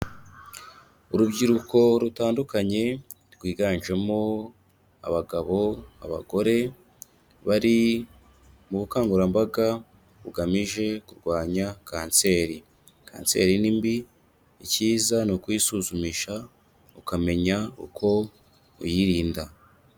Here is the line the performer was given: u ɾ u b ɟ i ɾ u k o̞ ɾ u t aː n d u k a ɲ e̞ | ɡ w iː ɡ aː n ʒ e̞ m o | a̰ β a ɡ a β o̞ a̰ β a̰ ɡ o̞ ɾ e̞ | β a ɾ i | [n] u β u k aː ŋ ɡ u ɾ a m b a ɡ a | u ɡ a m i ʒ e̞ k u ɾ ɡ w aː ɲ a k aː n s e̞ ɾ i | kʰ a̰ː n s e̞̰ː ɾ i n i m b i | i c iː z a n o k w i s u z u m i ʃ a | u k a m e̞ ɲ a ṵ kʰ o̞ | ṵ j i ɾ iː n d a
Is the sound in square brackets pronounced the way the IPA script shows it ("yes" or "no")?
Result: no